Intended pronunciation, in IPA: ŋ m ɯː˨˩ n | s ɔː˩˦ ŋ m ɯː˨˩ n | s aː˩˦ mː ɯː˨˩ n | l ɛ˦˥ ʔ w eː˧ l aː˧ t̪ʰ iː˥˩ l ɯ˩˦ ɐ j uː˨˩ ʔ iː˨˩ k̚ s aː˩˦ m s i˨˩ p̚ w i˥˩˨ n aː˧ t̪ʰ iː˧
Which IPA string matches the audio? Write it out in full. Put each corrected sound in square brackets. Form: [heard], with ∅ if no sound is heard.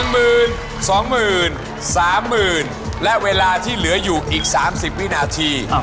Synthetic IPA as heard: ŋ m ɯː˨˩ n | s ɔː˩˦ ŋ m ɯː˨˩ n | s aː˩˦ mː ɯː˨˩ n | l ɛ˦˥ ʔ w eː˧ l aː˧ t̪ʰ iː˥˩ l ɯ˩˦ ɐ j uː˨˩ ʔ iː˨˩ k̚ s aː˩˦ m s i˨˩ p̚ w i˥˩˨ n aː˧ t̪ʰ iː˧